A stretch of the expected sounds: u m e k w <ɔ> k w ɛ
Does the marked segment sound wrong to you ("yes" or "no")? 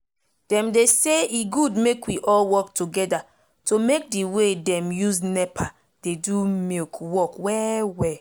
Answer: no